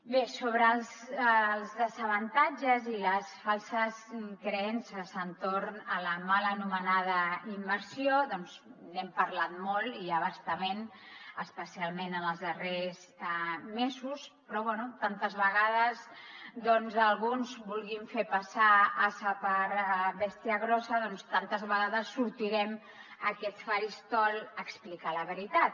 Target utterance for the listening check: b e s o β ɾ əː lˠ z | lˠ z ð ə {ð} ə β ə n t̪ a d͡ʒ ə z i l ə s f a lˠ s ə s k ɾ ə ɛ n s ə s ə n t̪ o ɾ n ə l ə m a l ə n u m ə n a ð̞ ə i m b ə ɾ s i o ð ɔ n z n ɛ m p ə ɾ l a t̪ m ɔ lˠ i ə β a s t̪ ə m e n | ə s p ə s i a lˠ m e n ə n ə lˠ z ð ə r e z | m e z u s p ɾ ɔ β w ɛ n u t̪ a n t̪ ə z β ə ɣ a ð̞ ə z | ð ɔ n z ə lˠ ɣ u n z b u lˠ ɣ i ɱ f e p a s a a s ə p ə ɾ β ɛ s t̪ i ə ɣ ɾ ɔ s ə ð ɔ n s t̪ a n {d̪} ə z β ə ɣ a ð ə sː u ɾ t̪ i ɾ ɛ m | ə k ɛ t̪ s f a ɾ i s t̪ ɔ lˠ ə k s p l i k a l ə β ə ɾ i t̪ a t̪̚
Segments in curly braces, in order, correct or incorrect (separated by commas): incorrect, incorrect